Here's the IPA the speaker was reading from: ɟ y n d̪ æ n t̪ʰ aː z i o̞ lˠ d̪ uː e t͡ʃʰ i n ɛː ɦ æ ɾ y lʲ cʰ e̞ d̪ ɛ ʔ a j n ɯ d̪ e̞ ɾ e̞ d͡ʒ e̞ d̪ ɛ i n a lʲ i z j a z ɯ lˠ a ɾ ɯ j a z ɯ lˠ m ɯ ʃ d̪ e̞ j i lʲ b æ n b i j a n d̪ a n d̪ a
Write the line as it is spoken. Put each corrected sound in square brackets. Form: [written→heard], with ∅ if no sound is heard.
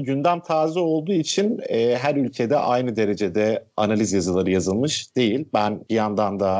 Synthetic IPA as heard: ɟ y n d̪ æ n t̪ʰ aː z i o̞ lˠ d̪ uː [e→i] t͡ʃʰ i n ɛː ɦ æ ɾ y lʲ cʰ e̞ d̪ ɛ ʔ a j n ɯ d̪ e̞ ɾ e̞ d͡ʒ e̞ d̪ ɛ [i→a] n a lʲ i z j a z ɯ lˠ a ɾ ɯ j a z ɯ lˠ m ɯ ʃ d̪ e̞ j i lʲ b æ n b i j a n d̪ a n d̪ a